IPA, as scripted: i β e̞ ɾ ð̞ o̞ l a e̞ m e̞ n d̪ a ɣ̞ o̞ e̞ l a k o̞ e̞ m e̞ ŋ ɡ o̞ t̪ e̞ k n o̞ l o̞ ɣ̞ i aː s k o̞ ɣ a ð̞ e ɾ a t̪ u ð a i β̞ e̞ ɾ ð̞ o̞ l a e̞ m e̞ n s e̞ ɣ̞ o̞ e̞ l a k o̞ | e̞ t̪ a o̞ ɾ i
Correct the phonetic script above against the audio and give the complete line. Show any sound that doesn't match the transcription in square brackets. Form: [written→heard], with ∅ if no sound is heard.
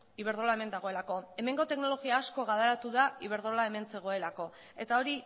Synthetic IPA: i β e̞ ɾ ð̞ o̞ l a e̞ m e̞ n d̪ a ɣ̞ o̞ e̞ l a k o̞ e̞ m e̞ ŋ ɡ o̞ t̪ e̞ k n o̞ l o̞ ɣ̞ i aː s k o̞ ɣ a ð̞ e ɾ a t̪ u ð a i β̞ e̞ ɾ ð̞ o̞ l a e̞ m e̞ n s e̞ ɣ̞ o̞ e̞ l a k o̞ | e̞ t̪ a o̞ ɾ i

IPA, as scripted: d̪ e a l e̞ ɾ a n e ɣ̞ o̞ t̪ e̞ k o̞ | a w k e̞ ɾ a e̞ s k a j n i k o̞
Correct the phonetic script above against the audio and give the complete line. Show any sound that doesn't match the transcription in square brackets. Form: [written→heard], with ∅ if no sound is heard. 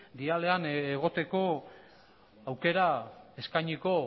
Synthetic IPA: d̪ [e→i] a l e̞ [ɾ→∅] a n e ɣ̞ o̞ t̪ e̞ k o̞ | a w k e̞ ɾ a e̞ s k a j [n→ɲ] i k o̞

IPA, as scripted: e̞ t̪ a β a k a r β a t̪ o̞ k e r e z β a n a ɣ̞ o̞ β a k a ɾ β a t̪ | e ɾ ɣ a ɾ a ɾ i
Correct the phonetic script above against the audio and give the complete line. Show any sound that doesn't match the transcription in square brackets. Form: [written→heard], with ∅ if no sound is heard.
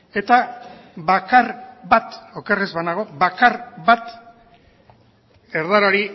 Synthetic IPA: e̞ t̪ a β a k a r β a t̪ o̞ k e r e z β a n a ɣ̞ o̞ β a k a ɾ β a t̪ | e ɾ [ɣ→ð] a ɾ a ɾ i

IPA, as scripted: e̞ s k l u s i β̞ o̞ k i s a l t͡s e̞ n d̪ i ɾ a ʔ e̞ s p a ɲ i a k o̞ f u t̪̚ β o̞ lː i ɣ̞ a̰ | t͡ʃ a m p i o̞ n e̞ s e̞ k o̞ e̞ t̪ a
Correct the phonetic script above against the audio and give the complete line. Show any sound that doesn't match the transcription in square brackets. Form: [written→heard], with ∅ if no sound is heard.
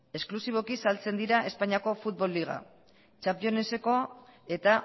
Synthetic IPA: e̞ s k l u s i β̞ o̞ k i s a l t͡s e̞ n d̪ i ɾ a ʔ e̞ s p a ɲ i a k o̞ f u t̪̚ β o̞ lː i ɣ̞ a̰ | t͡ʃ a m p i o̞ n e̞ s e̞ k o̞ e̞ t̪ a

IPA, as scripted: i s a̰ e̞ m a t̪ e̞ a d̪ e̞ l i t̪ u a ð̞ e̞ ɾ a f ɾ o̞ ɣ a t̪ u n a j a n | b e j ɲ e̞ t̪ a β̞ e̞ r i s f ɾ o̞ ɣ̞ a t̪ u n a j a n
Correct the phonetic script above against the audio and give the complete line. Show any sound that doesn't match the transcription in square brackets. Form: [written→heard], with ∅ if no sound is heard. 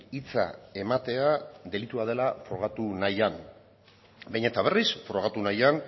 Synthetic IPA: i [s→t͡s] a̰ e̞ m a t̪ e̞ a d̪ e̞ l i t̪ u a ð̞ e̞ [ɾ→l] a f ɾ o̞ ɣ a t̪ u n a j a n | b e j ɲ e̞ t̪ a β̞ e̞ r i s f ɾ o̞ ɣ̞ a t̪ u n a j a n

